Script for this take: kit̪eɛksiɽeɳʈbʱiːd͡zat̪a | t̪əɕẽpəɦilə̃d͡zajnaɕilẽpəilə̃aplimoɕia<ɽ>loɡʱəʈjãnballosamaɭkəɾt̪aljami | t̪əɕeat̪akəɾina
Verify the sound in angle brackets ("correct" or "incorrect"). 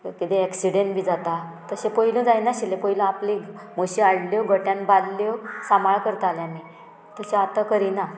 correct